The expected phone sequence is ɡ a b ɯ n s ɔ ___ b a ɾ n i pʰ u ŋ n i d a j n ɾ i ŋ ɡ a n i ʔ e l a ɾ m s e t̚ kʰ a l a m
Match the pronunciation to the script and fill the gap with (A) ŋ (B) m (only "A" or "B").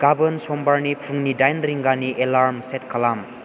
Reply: B